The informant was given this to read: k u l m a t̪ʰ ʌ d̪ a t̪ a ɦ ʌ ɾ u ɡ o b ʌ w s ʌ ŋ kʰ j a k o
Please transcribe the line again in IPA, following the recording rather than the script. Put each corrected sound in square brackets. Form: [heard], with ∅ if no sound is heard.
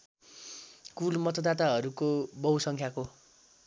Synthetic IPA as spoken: k u l m [ʌ] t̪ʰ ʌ d̪ a t̪ a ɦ ʌ ɾ u [k] o b ʌ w s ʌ ŋ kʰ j a k o